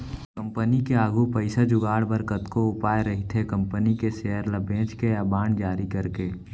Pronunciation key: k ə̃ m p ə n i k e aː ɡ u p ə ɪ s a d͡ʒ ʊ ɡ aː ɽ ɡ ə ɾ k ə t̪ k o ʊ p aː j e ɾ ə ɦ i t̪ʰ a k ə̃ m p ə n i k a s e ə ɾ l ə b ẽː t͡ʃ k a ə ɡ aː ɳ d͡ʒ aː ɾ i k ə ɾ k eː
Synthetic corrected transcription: k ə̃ m p ə n i k e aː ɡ u p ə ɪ s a d͡ʒ ʊ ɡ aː ɽ b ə ɾ k ə t̪ k o ʊ p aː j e ɾ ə ɦ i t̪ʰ e k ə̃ m p ə n i k e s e ə ɾ l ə b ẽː t͡ʃ k e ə b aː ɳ d͡ʒ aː ɾ i k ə ɾ k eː